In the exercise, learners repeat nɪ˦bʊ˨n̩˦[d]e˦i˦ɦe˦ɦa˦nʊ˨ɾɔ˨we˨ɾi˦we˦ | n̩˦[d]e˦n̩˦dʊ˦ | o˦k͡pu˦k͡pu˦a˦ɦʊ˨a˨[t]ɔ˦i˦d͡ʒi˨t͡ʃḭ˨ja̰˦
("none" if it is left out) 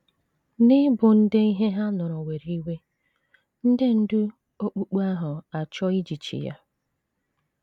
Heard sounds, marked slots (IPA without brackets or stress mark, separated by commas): d, d, t͡ʃ